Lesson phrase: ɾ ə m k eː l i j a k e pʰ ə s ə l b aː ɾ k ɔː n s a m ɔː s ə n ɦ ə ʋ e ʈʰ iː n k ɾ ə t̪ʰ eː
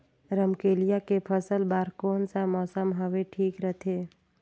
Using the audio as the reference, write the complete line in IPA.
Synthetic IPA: ɾ ə m k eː l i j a k e pʰ ə s ə l b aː ɾ k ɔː n s a m ɔː s ə m ɦ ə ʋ e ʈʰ iː k ɾ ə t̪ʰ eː